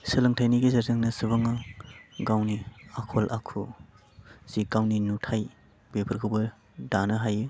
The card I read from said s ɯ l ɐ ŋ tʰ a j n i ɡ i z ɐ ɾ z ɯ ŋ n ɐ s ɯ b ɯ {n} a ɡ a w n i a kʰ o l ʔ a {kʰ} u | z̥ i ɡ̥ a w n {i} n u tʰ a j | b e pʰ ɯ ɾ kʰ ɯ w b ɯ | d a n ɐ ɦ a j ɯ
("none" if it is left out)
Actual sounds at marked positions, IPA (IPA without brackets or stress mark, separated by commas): ŋ, kʰ, i